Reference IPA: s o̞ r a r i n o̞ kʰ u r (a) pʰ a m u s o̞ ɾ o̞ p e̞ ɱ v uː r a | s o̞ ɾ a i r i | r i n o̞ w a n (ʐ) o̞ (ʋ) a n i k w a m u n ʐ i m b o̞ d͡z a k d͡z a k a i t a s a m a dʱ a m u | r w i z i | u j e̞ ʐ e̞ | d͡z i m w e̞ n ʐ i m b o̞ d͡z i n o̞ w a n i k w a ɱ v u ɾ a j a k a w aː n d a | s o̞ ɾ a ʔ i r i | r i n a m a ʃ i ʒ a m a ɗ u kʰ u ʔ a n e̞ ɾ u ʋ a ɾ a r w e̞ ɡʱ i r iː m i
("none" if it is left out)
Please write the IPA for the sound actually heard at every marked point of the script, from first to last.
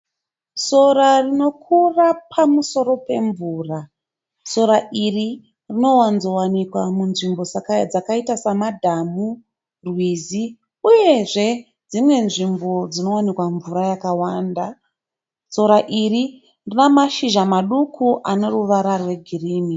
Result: a, z, w

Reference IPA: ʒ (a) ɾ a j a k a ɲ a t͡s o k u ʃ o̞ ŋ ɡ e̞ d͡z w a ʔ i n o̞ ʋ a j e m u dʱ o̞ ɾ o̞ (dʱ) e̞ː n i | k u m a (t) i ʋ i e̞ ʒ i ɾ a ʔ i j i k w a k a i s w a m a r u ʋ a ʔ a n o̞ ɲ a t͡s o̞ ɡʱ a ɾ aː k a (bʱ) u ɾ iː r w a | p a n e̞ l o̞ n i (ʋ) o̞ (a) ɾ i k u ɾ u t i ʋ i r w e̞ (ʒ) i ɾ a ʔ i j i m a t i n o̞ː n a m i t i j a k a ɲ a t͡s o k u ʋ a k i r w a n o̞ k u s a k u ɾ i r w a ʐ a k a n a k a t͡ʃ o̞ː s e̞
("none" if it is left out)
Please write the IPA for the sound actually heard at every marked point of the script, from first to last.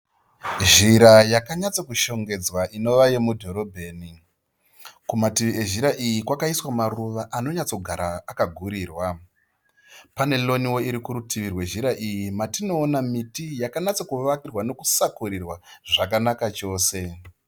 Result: i, bʱ, t, ɡʱ, w, i, ʒ

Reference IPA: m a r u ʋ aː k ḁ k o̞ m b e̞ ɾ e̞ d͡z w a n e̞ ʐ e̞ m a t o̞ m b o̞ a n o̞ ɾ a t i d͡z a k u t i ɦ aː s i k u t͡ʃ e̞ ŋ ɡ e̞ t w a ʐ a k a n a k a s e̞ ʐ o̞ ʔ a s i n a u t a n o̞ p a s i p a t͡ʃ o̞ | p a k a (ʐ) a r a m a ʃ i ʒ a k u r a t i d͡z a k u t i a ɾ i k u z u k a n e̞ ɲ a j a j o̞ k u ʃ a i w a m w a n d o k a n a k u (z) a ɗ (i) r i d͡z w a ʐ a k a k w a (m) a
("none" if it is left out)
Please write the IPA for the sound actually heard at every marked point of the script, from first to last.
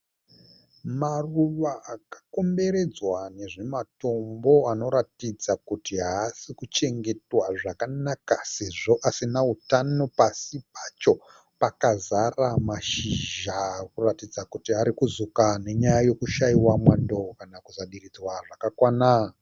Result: z, z, i, n

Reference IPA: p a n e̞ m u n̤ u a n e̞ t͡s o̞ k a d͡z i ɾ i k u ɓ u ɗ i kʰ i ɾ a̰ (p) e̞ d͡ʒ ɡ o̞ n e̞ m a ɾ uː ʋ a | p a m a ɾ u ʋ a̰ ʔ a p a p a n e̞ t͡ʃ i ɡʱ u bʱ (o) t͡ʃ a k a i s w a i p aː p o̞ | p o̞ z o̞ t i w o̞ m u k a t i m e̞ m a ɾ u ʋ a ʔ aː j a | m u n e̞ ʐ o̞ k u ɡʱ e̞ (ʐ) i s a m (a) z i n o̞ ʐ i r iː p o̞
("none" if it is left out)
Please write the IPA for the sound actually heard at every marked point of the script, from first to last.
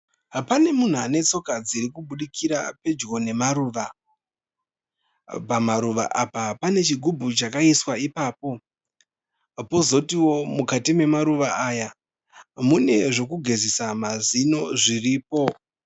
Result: p, u, z, a

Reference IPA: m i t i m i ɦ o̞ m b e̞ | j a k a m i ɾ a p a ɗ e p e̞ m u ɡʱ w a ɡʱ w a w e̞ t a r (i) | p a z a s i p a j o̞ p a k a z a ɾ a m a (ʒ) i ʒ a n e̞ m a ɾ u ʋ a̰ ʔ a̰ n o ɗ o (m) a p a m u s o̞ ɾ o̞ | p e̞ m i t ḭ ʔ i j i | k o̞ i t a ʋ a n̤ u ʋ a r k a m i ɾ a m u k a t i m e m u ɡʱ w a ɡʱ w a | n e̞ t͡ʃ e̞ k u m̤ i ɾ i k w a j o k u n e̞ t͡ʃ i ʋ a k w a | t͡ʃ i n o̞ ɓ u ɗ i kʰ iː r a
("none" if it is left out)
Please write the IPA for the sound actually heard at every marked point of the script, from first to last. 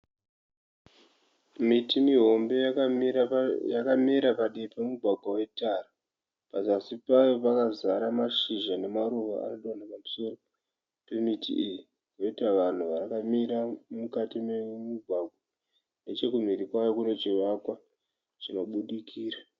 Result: a, ʃ, n

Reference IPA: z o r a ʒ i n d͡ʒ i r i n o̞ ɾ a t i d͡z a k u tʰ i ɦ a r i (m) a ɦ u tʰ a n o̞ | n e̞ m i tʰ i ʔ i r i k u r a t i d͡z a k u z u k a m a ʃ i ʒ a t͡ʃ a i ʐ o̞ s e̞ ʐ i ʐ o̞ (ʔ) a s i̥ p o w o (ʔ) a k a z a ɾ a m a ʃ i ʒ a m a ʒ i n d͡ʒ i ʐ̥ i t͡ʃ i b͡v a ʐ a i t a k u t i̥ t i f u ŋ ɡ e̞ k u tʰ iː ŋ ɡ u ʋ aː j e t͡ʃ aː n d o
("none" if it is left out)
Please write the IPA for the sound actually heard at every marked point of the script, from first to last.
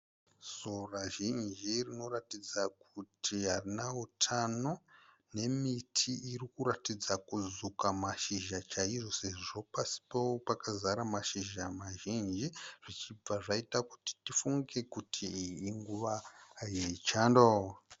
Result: n, p, p

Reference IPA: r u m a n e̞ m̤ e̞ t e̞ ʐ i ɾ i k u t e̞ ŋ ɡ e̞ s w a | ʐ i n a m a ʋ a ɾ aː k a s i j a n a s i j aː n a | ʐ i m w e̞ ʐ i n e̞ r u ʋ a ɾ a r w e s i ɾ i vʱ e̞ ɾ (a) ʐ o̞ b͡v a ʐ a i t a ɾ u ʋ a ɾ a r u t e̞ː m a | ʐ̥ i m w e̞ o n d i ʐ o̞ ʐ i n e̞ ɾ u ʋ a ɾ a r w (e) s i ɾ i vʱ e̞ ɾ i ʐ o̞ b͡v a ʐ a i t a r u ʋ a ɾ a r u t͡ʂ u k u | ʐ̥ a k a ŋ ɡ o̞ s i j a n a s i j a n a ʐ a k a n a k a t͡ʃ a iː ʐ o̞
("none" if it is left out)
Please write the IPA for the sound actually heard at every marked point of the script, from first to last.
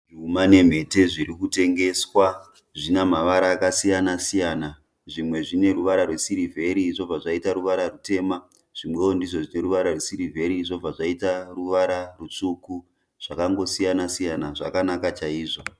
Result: i, e

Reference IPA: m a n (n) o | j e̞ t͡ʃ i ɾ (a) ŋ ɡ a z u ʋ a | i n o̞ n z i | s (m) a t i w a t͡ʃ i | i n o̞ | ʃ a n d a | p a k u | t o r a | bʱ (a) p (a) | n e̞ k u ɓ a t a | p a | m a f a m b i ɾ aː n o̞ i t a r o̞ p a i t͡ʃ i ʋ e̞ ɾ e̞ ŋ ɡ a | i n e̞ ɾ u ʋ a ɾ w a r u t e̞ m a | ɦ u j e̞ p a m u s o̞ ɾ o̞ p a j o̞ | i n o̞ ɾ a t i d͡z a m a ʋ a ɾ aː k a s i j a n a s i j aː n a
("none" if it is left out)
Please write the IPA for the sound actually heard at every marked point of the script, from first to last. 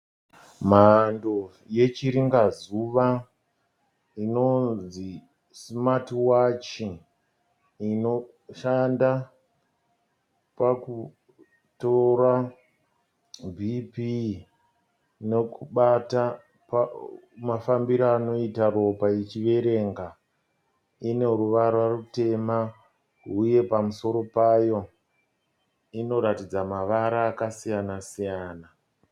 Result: d, i, m, i, i

